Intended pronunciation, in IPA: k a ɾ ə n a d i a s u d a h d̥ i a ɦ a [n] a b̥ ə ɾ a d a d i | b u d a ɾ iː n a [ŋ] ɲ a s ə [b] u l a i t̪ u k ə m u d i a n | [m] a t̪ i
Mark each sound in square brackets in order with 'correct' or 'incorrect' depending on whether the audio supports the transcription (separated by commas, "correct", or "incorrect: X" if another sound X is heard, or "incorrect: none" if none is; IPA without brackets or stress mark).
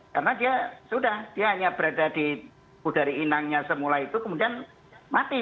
incorrect: ɲ, correct, incorrect: m, correct